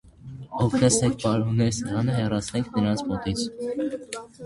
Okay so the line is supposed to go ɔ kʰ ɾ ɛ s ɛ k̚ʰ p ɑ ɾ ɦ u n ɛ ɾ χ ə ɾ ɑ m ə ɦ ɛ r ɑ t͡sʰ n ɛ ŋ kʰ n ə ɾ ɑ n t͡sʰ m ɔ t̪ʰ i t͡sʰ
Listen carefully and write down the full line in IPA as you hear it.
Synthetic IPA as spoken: ɔ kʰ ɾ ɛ s ɛ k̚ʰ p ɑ ɾ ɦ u n ɛ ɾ s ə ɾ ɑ n ə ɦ ɛ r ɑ t͡sʰ n ɛ ŋ kʰ n ə ɾ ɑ n t͡sʰ m ɔ t̪ i t͡sʰ